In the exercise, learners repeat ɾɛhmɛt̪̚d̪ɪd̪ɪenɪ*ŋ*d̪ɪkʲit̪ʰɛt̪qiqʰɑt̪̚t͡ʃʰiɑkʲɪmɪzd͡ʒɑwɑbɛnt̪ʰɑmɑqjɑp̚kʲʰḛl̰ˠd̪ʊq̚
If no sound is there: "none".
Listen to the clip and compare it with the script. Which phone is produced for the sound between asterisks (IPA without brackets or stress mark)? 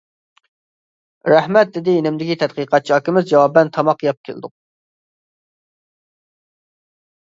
m